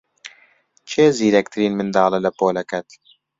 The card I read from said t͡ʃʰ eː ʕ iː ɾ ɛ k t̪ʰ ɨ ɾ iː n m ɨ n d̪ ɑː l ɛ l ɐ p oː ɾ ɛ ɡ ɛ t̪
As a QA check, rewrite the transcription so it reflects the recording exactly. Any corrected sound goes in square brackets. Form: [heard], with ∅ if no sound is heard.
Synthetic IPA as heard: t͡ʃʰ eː [z] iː ɾ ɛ k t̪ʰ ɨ ɾ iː n m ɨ n d̪ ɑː l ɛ l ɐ p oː [l] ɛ [k] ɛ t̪